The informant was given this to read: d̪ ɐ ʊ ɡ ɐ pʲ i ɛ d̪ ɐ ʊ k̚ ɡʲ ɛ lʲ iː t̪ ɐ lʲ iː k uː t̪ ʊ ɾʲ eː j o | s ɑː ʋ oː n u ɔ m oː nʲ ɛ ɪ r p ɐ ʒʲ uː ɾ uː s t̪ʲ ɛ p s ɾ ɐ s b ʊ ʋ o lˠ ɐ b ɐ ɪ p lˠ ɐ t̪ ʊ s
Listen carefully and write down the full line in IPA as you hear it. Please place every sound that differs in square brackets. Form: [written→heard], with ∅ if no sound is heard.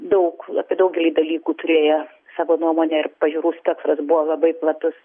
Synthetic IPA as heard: d̪ ɐ ʊ [ɡ→k] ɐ pʲ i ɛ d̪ ɐ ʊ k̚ ɡʲ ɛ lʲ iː [t̪→d̪] ɐ lʲ iː k uː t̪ ʊ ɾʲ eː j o | s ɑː ʋ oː n u ɔ m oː nʲ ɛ ɪ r p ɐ ʒʲ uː ɾ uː s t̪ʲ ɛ [p→k] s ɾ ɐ s b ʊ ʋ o lˠ ɐ b ɐ ɪ p lˠ ɐ t̪ ʊ s

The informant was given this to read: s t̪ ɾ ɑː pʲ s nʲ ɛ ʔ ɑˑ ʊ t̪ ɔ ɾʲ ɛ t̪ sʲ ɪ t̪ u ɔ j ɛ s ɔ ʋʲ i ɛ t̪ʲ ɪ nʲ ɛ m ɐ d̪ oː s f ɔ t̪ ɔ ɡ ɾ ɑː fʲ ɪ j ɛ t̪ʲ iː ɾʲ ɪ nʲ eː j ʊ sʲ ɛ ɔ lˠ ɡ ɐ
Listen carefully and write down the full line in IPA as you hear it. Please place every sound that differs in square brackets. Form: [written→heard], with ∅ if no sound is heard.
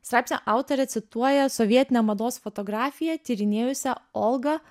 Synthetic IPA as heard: s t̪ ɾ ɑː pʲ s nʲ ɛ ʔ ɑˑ ʊ t̪ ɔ ɾʲ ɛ t̪ sʲ ɪ t̪ u ɔ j ɛ s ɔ ʋʲ i ɛ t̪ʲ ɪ nʲ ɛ m ɐ d̪ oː s f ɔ t̪ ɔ ɡ ɾ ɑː fʲ ɪ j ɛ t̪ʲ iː ɾʲ ɪ nʲ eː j ʊ sʲ ɛ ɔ lˠ ɡ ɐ

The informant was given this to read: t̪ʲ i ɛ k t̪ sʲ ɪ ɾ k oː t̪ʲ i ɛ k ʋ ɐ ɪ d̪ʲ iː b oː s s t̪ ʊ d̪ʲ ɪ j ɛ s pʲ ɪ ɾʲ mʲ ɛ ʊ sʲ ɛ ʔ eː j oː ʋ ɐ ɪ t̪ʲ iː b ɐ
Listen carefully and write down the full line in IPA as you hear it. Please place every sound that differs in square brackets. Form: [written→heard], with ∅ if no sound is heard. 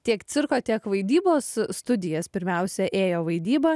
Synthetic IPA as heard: t̪ʲ i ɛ k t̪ sʲ ɪ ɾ k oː t̪ʲ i ɛ k ʋ ɐ ɪ d̪ʲ iː b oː s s t̪ ʊ d̪ʲ ɪ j ɛ s pʲ ɪ ɾʲ mʲ ɛ ʊ sʲ ɛ ʔ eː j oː ʋ ɐ ɪ [t̪ʲ→d̪ʲ] iː b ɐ

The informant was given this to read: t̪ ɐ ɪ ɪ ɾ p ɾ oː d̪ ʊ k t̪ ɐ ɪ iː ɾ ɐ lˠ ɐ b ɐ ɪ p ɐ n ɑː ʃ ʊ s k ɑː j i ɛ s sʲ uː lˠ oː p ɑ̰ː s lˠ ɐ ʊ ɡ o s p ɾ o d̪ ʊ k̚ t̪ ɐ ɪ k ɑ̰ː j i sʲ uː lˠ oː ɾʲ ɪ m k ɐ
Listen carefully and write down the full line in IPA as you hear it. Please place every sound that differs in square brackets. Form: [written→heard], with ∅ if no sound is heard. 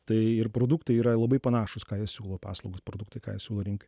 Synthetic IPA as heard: t̪ ɐ ɪ ɪ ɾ p ɾ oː d̪ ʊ k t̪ ɐ ɪ iː ɾ ɐ lˠ ɐ b ɐ ɪ p ɐ n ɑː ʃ ʊ s k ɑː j i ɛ s sʲ uː lˠ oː p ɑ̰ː s lˠ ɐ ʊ ɡ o s p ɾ o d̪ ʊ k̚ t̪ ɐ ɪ k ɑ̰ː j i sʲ uː lˠ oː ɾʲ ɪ [m→ŋ] k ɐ

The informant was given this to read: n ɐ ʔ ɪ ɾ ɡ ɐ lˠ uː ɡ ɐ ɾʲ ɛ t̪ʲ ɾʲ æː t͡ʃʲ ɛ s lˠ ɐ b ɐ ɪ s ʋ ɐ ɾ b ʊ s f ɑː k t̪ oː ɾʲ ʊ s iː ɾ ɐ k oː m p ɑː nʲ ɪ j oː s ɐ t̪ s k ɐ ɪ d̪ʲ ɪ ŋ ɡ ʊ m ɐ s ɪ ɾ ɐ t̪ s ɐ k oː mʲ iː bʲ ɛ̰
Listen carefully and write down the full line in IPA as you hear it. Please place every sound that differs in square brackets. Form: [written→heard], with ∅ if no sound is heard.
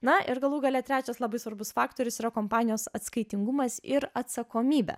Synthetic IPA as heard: n ɐ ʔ ɪ ɾ ɡ ɐ lˠ uː ɡ ɐ [ɾʲ→lʲ] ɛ t̪ʲ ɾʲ æː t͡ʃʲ ɛ s lˠ ɐ b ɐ ɪ s ʋ ɐ ɾ b ʊ s f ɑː k t̪ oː ɾʲ ʊ s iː ɾ ɐ k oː m p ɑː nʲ ɪ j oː s ɐ t̪ s k ɐ ɪ [d̪ʲ→t̪ʲ] ɪ ŋ ɡ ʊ m ɐ s ɪ ɾ ɐ t̪ s ɐ k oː mʲ iː bʲ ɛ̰

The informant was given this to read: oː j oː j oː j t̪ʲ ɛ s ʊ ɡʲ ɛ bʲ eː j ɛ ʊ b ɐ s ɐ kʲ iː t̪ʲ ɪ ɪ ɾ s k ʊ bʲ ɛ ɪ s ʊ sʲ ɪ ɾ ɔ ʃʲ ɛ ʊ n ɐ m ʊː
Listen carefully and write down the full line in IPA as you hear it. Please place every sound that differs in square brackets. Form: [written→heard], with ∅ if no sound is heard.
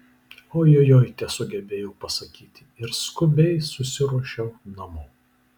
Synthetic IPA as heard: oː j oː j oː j t̪ʲ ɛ s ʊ ɡʲ ɛ bʲ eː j ɛ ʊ [b→p] ɐ s ɐ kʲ iː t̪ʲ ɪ ɪ ɾ s k ʊ bʲ ɛ ɪ s ʊ sʲ ɪ ɾ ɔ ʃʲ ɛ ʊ n ɐ m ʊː

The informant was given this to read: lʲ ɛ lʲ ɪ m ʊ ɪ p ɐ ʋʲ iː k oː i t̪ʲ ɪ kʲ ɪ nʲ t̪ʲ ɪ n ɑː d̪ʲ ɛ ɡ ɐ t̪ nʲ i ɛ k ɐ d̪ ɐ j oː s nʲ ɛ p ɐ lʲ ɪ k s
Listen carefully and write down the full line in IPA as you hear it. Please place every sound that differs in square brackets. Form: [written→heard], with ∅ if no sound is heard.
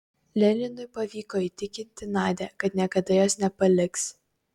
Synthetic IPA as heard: lʲ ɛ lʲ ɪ [m→n] ʊ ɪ p ɐ ʋʲ iː k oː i t̪ʲ ɪ kʲ ɪ nʲ t̪ʲ ɪ n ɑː d̪ʲ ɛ [ɡ→k] ɐ t̪ nʲ i ɛ k ɐ d̪ ɐ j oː s nʲ ɛ p ɐ lʲ ɪ k s

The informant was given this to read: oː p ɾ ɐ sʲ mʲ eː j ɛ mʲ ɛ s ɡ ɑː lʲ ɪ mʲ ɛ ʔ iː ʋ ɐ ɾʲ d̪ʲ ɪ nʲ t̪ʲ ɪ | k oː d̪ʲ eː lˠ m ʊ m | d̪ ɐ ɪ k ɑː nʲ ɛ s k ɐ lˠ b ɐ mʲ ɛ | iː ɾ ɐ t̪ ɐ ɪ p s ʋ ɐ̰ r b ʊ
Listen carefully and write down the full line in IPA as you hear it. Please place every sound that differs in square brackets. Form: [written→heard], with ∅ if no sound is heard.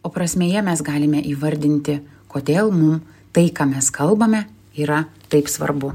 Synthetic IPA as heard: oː p ɾ ɐ sʲ mʲ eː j ɛ mʲ ɛ s ɡ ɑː lʲ ɪ mʲ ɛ ʔ iː ʋ ɐ ɾʲ d̪ʲ ɪ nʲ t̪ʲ ɪ | k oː d̪ʲ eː lˠ m ʊ m | [d̪→t̪] ɐ ɪ k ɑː [nʲ→mʲ] ɛ s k ɐ lˠ b ɐ mʲ ɛ | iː ɾ ɐ t̪ ɐ ɪ p s ʋ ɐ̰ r b ʊ

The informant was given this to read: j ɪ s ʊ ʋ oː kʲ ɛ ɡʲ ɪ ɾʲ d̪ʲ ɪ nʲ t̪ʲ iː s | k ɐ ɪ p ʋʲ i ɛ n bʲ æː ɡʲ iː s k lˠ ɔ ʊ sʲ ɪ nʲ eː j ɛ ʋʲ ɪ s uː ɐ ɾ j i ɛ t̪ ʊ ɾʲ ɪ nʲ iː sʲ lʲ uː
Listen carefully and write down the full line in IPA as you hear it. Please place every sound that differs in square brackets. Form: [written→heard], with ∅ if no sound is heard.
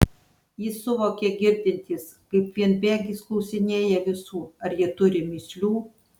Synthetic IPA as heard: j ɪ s ʊ ʋ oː kʲ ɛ ɡʲ ɪ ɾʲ d̪ʲ ɪ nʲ t̪ʲ iː s | k ɐ ɪ p ʋʲ i ɛ n bʲ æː ɡʲ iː s k lˠ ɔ ʊ sʲ ɪ nʲ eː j ɛ ʋʲ ɪ s uː ɐ ɾ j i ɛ t̪ ʊ ɾʲ ɪ [nʲ→mʲ] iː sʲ lʲ uː

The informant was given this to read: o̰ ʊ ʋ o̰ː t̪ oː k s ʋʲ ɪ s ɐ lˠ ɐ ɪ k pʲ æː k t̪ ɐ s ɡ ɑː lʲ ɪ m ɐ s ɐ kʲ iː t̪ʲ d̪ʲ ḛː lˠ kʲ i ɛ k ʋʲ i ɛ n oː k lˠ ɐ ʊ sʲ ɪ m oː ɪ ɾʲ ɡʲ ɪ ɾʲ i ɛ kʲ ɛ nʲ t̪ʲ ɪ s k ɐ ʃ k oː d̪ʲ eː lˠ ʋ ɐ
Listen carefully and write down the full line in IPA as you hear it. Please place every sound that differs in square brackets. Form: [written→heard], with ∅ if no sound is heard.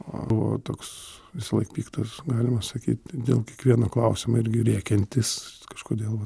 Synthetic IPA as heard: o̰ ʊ ʋ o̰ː t̪ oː k s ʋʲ ɪ s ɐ lˠ ɐ ɪ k pʲ [æː→iː] k t̪ ɐ s ɡ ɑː lʲ ɪ m ɐ s ɐ kʲ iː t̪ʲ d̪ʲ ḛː lˠ kʲ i ɛ k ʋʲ i ɛ n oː k lˠ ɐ ʊ sʲ ɪ m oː ɪ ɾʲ ɡʲ ɪ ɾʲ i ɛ kʲ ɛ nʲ t̪ʲ ɪ s k ɐ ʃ k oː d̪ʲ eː lˠ ʋ ɐ

